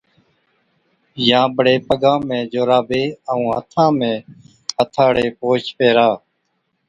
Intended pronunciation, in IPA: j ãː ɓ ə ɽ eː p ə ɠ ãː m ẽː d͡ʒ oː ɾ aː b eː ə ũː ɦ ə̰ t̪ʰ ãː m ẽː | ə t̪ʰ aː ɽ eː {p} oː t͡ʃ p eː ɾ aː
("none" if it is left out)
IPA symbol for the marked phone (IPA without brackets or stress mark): p